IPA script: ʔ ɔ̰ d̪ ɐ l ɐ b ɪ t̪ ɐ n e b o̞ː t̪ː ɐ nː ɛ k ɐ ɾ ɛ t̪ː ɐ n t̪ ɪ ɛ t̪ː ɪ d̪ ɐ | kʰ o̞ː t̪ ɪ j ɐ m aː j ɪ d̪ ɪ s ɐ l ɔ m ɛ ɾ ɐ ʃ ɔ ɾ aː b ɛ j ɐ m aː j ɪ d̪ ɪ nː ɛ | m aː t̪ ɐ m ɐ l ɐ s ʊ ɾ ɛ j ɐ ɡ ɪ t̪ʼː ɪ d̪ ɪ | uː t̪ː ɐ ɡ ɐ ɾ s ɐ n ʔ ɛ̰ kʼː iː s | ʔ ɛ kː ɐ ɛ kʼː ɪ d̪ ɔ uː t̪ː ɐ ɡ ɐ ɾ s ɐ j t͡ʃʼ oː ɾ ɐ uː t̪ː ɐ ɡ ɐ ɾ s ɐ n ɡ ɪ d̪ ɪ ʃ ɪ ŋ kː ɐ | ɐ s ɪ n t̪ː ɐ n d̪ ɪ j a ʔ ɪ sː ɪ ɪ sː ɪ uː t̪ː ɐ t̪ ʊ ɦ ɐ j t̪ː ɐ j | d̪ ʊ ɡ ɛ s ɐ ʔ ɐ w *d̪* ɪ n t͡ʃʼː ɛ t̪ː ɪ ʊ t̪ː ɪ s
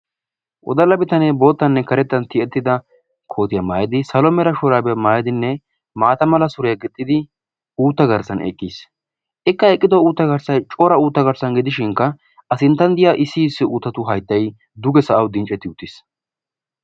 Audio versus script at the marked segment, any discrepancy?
no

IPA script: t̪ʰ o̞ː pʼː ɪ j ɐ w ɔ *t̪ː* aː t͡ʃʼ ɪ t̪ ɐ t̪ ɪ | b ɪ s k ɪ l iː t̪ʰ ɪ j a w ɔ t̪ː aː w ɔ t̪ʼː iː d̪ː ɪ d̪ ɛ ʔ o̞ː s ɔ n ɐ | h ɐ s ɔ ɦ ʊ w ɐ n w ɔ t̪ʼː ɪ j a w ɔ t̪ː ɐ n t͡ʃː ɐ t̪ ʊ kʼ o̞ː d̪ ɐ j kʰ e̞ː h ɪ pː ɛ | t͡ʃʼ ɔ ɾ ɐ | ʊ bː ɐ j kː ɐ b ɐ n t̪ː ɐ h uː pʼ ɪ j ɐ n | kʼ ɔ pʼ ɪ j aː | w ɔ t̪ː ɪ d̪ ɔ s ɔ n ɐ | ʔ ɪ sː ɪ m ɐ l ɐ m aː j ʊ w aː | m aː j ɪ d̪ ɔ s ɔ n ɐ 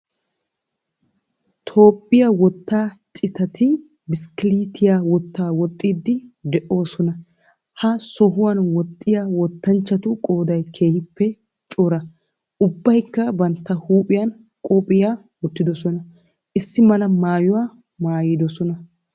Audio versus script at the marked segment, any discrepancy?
no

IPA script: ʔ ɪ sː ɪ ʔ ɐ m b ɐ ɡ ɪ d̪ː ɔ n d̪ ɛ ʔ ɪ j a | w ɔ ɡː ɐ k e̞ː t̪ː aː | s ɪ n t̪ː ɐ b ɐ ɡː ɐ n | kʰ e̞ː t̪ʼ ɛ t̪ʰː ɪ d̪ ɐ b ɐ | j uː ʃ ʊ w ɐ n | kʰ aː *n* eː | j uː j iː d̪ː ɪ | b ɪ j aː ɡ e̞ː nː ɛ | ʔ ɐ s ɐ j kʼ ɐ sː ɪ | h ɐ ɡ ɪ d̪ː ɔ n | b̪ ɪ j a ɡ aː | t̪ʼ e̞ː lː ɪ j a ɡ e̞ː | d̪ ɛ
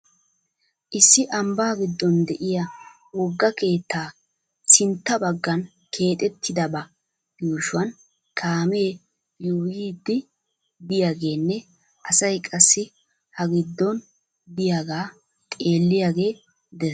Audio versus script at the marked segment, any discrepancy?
yes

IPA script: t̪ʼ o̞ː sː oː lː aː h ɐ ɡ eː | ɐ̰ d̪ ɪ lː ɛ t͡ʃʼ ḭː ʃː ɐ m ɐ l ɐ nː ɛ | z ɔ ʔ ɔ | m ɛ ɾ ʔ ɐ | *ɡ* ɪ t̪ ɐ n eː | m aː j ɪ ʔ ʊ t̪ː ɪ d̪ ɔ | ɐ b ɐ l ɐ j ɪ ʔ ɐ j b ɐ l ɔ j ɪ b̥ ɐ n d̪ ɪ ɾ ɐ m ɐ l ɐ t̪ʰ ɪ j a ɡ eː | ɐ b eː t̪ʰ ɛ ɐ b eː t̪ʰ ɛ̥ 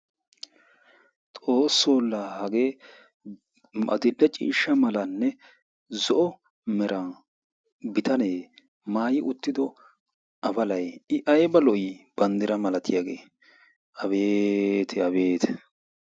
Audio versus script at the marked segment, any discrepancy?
yes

